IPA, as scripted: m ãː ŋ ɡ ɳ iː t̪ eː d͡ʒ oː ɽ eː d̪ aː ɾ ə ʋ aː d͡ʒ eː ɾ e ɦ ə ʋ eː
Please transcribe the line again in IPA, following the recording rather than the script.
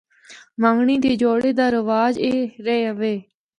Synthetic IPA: m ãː ŋ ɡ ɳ iː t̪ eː d͡ʒ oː ɽ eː d̪ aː ɾ ə ʋ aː d͡ʒ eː ɾ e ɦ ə ʋ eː

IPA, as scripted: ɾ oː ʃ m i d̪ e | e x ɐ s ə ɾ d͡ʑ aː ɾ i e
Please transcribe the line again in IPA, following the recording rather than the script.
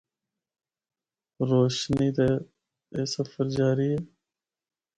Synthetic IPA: ɾ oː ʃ n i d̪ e | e s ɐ f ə ɾ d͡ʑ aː ɾ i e

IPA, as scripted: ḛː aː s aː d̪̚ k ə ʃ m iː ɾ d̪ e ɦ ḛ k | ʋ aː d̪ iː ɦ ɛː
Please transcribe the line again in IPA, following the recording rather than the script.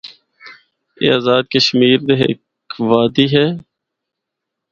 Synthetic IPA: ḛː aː z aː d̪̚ k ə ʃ m iː ɾ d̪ e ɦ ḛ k | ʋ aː d̪ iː ɦ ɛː

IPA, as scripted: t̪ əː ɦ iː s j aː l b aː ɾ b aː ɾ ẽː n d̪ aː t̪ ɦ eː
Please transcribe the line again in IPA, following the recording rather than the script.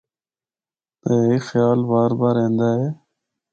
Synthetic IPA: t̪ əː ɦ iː x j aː l b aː ɾ b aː ɾ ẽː n d̪ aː ɦ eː

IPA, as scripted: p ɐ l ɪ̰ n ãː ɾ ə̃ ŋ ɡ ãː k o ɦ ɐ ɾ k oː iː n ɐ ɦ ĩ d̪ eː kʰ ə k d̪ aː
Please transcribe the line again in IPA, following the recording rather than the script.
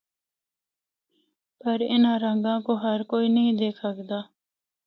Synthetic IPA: p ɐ ɾ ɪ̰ n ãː ɾ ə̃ ŋ ɡ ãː k o ɦ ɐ ɾ k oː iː n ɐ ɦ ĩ d̪ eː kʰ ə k d̪ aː

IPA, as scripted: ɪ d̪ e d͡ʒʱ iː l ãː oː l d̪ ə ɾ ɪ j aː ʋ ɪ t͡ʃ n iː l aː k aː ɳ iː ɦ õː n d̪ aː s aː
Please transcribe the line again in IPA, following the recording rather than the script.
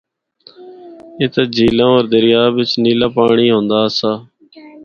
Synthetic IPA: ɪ t̪ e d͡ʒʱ iː l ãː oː ɾ d̪ ə ɾ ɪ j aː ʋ ɪ t͡ʃ n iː l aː p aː ɳ iː ɦ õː n d̪ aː s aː

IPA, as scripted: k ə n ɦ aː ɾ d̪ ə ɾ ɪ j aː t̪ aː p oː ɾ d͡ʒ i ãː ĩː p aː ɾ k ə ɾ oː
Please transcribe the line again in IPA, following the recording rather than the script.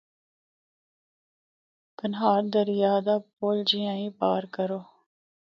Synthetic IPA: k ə n ɦ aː ɾ d̪ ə ɾ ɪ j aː d̪ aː p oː l d͡ʒ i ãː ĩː p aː ɾ k ə ɾ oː

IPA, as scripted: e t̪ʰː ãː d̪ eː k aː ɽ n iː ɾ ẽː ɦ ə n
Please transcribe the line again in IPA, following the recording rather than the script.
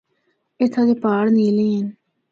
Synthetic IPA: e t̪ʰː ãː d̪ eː p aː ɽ n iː l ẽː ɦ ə n

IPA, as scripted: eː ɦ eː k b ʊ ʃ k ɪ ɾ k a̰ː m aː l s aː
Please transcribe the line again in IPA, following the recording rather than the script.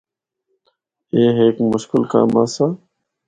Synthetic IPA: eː ɦ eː k m ʊ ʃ k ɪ l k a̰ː m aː s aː

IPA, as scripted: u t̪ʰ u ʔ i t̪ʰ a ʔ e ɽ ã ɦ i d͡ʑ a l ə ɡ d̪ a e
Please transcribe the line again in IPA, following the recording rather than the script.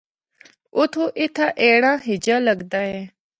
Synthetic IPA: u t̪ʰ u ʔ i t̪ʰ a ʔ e ɽ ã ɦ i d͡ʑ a l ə ɡ d̪ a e

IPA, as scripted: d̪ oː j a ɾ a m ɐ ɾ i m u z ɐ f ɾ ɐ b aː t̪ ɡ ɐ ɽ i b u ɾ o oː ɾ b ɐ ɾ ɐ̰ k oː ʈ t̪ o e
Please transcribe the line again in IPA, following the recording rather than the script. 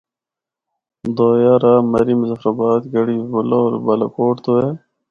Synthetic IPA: d̪ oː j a ɾ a m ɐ ɾ i m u z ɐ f ɾ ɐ b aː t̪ ɡ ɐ ɽ i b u l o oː ɾ b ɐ l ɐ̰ k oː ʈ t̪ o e

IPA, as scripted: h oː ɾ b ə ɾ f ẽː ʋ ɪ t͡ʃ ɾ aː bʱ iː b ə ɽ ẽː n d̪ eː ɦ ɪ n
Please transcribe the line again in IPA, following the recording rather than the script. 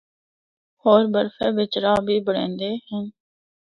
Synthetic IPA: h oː ɾ b ə ɾ f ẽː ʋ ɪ t͡ʃ ɾ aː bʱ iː b ə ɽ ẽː n d̪ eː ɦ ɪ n

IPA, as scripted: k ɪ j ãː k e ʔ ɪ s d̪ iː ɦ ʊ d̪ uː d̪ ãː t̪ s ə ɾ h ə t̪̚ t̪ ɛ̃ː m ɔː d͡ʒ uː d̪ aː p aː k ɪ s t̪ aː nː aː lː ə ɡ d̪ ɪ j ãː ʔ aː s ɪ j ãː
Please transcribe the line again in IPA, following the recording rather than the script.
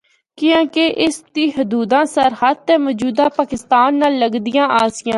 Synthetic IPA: k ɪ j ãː k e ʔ ɪ s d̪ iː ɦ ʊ d̪ uː d̪ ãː s ə ɾ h ə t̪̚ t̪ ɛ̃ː m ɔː d͡ʒ uː d̪ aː p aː k ɪ s t̪ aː nː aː lː ə ɡ d̪ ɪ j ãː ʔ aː s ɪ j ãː

